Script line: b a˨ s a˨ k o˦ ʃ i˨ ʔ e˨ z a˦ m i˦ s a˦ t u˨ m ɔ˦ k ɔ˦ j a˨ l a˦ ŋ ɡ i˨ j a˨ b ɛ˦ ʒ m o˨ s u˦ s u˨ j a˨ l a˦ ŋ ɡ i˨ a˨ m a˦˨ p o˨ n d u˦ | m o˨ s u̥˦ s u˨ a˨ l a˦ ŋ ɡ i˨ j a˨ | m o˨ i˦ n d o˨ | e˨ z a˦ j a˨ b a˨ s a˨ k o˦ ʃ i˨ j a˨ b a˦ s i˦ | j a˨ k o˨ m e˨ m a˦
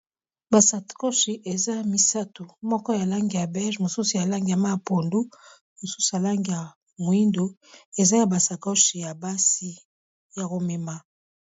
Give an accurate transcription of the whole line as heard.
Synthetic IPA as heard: b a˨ s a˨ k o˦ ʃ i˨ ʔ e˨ z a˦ m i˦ s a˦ t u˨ m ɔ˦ k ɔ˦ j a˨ l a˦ ŋ ɡ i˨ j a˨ b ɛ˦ ʒ m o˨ s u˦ s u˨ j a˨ l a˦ ŋ ɡ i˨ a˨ m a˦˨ p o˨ n d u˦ | m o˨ s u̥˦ s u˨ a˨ l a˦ ŋ ɡ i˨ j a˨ | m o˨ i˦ n d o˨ | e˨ z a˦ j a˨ b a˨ s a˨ k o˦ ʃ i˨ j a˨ b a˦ s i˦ | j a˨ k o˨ m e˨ m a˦